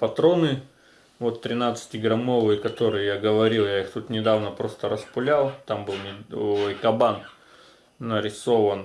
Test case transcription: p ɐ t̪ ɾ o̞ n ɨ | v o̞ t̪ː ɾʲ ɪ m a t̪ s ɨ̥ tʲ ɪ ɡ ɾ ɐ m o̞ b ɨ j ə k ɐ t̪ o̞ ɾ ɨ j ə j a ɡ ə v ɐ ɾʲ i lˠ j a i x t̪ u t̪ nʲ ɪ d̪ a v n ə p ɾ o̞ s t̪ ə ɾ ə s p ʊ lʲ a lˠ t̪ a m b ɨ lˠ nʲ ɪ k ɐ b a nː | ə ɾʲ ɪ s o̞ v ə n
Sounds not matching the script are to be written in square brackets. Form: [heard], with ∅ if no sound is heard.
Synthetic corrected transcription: p ɐ t̪ ɾ o̞ n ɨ | v o̞ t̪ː ɾʲ ɪ [n] a t̪ s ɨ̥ tʲ ɪ ɡ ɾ ɐ m o̞ [v] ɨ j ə k ɐ t̪ o̞ ɾ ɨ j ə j a ɡ ə v ɐ ɾʲ i lˠ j a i x t̪ u t̪ nʲ ɪ d̪ a v n ə p ɾ o̞ s t̪ ə ɾ ə s p ʊ lʲ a lˠ t̪ a m b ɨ lˠ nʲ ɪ k ɐ b a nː | ə ɾʲ ɪ s o̞ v ə n